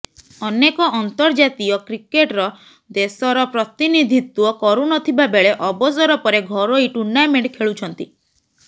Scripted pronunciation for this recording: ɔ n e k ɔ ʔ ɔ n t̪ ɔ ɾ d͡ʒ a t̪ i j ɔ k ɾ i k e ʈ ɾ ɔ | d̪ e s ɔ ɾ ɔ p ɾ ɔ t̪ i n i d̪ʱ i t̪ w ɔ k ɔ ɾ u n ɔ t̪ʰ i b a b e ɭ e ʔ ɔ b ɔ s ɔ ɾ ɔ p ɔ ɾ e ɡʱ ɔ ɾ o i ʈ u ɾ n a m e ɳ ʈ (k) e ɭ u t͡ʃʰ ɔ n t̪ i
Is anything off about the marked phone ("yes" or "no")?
yes